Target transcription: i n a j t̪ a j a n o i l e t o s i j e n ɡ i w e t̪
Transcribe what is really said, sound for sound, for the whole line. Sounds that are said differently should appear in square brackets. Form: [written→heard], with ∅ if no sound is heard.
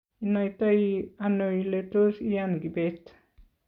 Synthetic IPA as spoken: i n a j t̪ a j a n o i l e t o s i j [e→a] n ɡ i [w→b] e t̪